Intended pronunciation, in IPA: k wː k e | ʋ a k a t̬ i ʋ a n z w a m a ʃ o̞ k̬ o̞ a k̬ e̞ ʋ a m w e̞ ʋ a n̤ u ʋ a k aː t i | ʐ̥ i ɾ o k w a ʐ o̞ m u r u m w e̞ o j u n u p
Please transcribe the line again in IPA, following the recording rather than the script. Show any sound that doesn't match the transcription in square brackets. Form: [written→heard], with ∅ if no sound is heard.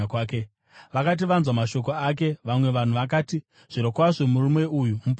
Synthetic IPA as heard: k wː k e | ʋ a k a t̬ i ʋ a n z w a m a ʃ o̞ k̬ o̞ a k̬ e̞ ʋ a m w e̞ ʋ a n̤ u ʋ a k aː t i | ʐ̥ i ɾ o k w a ʐ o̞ m u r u m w e̞ [o→u] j u [n→m] u p

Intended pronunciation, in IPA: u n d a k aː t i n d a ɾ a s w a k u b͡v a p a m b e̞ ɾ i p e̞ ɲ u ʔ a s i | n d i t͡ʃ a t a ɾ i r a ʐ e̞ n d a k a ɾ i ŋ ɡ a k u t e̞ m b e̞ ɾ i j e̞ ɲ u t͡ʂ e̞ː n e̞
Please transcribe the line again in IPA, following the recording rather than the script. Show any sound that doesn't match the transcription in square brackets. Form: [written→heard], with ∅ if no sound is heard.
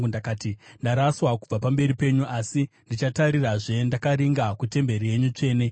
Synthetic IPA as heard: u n d a k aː t i n d a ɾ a s w a k u b͡v a p a m b e̞ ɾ i p e̞ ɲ u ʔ a s i | n d i t͡ʃ a t a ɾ i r a ʐ e̞ n d a k a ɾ i ŋ ɡ a k u t e̞ m b e̞ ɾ i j e̞ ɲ u t͡ʂ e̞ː n e̞

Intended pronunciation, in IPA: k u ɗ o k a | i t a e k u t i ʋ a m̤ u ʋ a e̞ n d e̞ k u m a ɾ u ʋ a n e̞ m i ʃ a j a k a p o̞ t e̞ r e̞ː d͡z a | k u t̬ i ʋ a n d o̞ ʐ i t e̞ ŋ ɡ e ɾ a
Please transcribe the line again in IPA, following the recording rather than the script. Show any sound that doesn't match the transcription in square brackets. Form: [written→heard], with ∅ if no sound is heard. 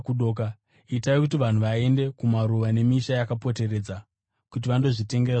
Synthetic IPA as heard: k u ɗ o k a | i t a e k u t i ʋ a [m̤→n̤] u ʋ a e̞ n d e̞ k u m a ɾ u ʋ a n e̞ m i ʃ a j a k a p o̞ t e̞ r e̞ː d͡z a | k u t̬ i ʋ a n d o̞ ʐ i t e̞ ŋ ɡ e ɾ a

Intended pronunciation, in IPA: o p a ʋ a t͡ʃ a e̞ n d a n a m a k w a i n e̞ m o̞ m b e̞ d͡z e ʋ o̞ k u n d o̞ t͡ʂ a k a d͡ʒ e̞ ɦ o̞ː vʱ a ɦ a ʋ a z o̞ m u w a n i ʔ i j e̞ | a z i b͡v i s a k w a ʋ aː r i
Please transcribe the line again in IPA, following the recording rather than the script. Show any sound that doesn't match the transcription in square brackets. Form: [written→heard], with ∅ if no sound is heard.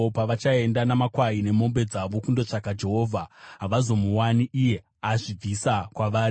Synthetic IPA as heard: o p a ʋ a t͡ʃ a e̞ n d a n a m a k w a i n e̞ m o̞ m b e̞ d͡z [e→a] ʋ o̞ k u n d o̞ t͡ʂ a k a d͡ʒ e̞ ɦ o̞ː vʱ a ɦ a ʋ a z o̞ m u w a n i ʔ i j e̞ | a [z→ʐ] i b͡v i s a k w a ʋ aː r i

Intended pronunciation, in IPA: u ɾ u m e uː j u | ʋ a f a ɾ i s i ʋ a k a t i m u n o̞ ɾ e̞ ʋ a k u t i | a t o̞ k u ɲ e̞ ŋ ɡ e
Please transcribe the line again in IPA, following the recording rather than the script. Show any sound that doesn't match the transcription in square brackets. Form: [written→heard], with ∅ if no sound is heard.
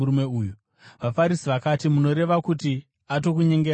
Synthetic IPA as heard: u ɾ u m e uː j u | ʋ a f a ɾ i s i ʋ a k a t i m u n o̞ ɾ e̞ ʋ a k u t i | a t o̞ k u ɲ e̞ ŋ ɡ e

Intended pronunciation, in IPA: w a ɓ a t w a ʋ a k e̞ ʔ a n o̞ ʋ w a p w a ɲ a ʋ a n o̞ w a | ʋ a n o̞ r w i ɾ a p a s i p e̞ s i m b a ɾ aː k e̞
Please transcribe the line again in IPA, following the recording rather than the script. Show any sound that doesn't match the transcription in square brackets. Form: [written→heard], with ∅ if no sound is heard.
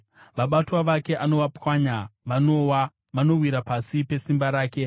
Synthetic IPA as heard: [w→ʋ] a ɓ a t w a ʋ a k e̞ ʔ a n o̞ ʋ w a p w a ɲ a ʋ a n o̞ w a | ʋ a n o̞ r w i ɾ a p a s i p e̞ s i m b a ɾ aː k e̞

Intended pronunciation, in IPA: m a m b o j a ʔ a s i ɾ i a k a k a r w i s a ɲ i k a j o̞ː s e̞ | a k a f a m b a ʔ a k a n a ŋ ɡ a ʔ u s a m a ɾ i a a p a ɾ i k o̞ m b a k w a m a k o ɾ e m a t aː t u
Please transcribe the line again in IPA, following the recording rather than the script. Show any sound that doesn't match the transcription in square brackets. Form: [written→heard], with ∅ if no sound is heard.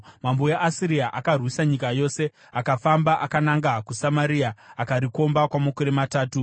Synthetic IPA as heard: m a m b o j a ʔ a s i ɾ i a [k→ʔ] a k a r w i s a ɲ i k a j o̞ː s e̞ | a k a f a m b a ʔ a k a n a ŋ ɡ a [ʔ→k] u s a m a ɾ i a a [p→k] a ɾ i k o̞ m b a k w a m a k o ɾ e m a t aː t u

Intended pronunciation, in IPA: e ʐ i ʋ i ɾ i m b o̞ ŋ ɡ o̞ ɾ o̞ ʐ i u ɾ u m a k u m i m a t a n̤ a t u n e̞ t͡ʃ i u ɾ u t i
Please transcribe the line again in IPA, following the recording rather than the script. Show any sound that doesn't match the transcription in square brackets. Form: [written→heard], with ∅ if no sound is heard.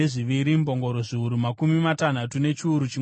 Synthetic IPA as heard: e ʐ i ʋ i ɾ i m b o̞ ŋ ɡ o̞ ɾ o̞ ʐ i u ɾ u m a k u m i m a t a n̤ a t u n e̞ t͡ʃ i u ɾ u [t→t͡ʃ] i

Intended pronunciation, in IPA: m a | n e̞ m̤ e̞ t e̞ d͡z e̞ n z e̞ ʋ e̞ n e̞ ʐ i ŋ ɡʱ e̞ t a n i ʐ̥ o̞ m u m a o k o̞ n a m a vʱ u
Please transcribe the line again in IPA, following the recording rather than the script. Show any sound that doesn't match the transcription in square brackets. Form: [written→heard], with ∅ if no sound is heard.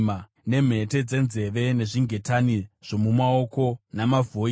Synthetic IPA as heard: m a | n e̞ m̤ e̞ t e̞ d͡z e̞ n z e̞ ʋ e̞ n e̞ ʐ i ŋ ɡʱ e̞ t a n i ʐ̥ o̞ m u m a o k o̞ n a m a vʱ [u→o]

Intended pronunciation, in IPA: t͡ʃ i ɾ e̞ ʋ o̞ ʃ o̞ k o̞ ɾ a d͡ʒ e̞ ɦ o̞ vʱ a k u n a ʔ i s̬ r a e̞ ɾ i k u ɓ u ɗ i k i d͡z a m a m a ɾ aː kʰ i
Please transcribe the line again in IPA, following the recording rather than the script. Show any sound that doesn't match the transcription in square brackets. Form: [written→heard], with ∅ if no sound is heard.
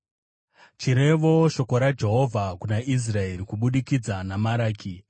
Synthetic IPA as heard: t͡ʃ i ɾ e̞ ʋ o̞ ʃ o̞ k o̞ ɾ a d͡ʒ e̞ ɦ o̞ vʱ a k u n a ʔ i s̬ r a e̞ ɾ i k u ɓ u ɗ i k i d͡z a [m→n] a m a ɾ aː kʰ i

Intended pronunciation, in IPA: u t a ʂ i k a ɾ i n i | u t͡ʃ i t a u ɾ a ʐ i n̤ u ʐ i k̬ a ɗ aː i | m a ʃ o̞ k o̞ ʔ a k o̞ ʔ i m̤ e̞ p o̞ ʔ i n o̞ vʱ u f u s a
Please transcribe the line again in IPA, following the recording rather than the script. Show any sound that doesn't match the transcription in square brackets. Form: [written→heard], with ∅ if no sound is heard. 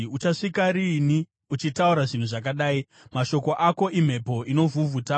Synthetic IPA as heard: u [t→t͡ʃ] a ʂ i k a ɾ i n i | u t͡ʃ i t a u ɾ a ʐ i n̤ u ʐ [i→a] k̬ a ɗ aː i | m a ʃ o̞ k o̞ ʔ a k o̞ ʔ i m̤ e̞ p o̞ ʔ i n o̞ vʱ u [f→v] u [s→t] a

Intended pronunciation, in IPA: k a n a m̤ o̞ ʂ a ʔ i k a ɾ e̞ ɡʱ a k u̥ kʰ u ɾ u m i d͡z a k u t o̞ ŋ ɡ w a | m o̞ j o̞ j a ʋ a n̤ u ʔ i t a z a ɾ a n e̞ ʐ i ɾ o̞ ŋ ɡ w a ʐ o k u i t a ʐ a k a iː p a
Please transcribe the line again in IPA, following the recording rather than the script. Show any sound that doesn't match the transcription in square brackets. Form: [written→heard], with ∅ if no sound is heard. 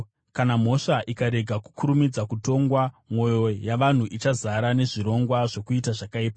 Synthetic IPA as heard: k a n a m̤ o̞ ʂ a ʔ i k a ɾ e̞ ɡʱ a k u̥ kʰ u ɾ u m i d͡z a k u t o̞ ŋ ɡ w a | m o̞ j o̞ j a ʋ a n̤ u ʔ i [t→t͡ʃ] a z a ɾ a n e̞ ʐ i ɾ o̞ ŋ ɡ w a ʐ o k u i t a ʐ a k a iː p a

